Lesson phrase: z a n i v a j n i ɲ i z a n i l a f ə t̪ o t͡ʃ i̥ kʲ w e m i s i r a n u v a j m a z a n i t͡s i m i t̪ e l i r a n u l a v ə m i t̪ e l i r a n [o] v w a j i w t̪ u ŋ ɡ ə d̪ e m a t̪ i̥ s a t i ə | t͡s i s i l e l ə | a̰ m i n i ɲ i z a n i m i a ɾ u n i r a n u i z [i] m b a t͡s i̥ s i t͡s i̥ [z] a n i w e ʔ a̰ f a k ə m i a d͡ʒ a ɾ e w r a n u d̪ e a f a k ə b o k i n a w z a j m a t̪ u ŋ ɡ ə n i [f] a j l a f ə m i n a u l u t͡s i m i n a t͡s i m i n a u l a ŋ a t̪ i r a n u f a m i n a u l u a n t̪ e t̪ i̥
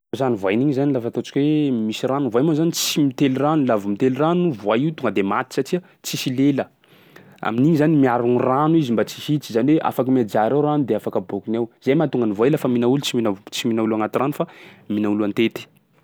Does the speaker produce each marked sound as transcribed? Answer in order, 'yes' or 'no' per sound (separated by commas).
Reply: no, yes, yes, no